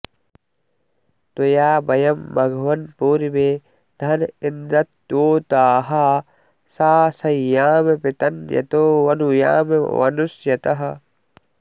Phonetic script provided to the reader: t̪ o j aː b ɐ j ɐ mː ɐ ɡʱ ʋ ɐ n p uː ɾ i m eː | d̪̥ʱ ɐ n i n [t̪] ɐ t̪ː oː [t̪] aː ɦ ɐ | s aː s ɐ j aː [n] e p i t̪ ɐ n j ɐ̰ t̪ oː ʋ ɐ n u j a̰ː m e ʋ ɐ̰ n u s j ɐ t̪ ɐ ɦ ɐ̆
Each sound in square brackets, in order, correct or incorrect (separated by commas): incorrect, correct, incorrect